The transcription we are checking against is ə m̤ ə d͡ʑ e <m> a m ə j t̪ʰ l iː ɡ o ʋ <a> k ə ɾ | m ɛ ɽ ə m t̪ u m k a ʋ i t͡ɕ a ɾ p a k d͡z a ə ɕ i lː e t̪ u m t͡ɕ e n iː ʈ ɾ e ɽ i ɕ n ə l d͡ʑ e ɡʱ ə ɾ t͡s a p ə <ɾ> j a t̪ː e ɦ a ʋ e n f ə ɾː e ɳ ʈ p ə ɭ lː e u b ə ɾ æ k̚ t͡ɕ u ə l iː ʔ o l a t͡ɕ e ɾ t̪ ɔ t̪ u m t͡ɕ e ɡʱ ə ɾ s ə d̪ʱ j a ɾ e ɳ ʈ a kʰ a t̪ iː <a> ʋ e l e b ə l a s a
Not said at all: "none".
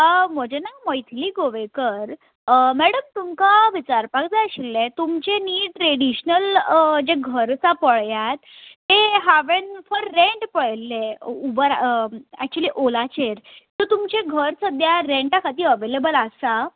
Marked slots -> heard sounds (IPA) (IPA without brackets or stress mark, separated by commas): n, e, ɭ, ə